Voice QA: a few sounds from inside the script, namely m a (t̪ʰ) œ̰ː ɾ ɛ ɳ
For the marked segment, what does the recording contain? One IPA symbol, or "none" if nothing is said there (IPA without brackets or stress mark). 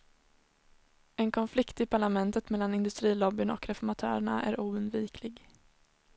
t̪ʰ